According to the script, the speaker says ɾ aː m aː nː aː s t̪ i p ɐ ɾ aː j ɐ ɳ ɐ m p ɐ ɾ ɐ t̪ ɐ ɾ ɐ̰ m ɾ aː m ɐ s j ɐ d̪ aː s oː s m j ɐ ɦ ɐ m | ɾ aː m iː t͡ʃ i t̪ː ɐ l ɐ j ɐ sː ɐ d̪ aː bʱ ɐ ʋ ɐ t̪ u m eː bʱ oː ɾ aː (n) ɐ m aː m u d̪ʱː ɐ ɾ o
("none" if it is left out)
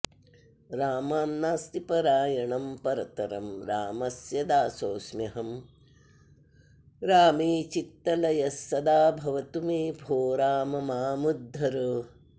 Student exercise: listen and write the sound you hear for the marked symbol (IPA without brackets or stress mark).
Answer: m